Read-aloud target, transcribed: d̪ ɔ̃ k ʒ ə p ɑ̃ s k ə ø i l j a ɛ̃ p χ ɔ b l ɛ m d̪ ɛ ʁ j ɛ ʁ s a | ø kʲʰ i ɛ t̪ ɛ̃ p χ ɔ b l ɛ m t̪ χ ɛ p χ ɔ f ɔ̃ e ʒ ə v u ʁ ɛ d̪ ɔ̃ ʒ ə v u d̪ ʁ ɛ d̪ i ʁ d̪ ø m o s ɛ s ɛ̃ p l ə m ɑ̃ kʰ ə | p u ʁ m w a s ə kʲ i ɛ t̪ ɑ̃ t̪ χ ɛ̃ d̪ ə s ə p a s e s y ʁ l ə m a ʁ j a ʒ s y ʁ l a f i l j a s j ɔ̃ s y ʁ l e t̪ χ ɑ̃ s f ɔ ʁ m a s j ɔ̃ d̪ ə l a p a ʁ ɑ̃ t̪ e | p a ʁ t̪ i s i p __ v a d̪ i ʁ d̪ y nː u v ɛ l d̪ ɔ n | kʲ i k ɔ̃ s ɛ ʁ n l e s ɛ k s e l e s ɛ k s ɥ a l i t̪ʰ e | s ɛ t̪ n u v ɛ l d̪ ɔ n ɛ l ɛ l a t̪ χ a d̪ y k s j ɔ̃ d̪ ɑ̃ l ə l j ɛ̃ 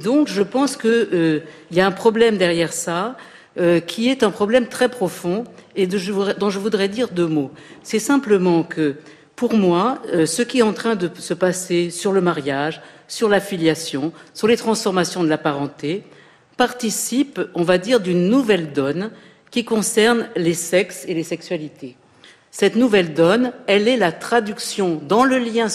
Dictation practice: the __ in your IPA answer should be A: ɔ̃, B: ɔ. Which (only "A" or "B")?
A